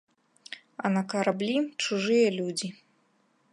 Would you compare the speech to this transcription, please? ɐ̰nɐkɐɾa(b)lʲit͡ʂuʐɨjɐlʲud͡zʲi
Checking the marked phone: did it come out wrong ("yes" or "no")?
no